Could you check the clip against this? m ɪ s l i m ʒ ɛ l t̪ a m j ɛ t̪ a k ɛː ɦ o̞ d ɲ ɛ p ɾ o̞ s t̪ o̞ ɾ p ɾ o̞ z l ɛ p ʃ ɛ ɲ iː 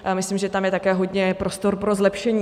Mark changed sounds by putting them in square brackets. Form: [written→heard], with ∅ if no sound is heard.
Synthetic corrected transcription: m ɪ s l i m ʒ ɛ [l→∅] t̪ a m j ɛ t̪ a k ɛː ɦ o̞ d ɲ ɛ p ɾ o̞ s t̪ o̞ ɾ p ɾ o̞ z l ɛ p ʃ ɛ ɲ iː